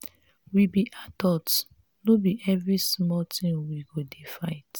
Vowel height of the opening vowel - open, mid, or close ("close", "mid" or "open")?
close